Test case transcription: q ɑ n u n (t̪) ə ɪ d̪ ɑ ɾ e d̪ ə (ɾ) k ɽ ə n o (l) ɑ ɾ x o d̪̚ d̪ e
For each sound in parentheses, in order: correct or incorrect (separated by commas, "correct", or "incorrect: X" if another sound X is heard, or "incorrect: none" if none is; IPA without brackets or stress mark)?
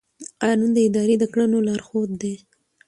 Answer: incorrect: d̪, incorrect: none, correct